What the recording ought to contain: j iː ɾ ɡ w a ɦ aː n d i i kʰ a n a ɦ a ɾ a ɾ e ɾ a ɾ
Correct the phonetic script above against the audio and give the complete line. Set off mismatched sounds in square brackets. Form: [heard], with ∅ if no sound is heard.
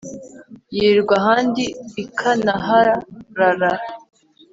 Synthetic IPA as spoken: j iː ɾ ɡ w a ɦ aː n d i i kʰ a n a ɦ a ɾ a ɾ [a] ɾ a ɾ

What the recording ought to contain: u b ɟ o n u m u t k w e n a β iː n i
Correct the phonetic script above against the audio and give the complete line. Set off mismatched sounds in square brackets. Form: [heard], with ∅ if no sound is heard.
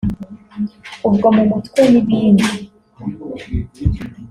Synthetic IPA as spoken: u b [ɡ] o [m] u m u t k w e n [i] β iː n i

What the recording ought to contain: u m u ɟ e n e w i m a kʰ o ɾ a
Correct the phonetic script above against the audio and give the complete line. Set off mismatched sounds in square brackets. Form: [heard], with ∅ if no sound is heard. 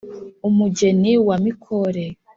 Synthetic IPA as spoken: u m u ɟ e n [i] w [a] m [i] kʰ o ɾ [e]

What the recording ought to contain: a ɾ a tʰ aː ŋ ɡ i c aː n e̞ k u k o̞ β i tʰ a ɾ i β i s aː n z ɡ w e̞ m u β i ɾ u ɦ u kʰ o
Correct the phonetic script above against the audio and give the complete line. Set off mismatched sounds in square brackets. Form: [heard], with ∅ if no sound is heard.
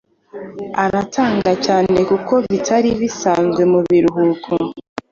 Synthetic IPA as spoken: a ɾ a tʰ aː ŋ ɡ [a] c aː n e̞ k u k o̞ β i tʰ a ɾ i β i s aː n z ɡ w e̞ m u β i ɾ u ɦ u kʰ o

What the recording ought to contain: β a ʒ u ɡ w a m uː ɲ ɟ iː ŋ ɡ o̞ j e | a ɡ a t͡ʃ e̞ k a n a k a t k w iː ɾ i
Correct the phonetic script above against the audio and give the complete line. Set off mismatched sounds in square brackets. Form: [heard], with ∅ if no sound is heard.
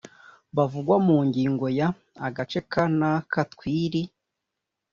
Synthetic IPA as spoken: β a [v] u ɡ w a m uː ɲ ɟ iː ŋ ɡ o̞ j [a] | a ɡ a t͡ʃ e̞ k a n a k a t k w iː ɾ i

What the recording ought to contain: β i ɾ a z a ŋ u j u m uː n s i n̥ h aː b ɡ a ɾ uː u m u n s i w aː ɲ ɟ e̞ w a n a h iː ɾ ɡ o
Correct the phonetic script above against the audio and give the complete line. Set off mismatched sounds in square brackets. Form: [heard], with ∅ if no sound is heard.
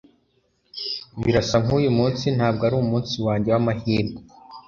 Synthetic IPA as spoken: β i ɾ a [s] a ŋ u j u m uː n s i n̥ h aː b ɡ a ɾ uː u m [uː] n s i w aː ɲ ɟ e̞ w a [m] a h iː ɾ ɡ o

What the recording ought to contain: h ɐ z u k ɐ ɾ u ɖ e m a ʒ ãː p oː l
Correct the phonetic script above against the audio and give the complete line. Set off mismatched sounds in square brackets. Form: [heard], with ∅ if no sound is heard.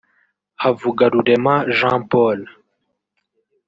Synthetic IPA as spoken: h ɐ [v] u [ɡ] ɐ ɾ u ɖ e m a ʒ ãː p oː l

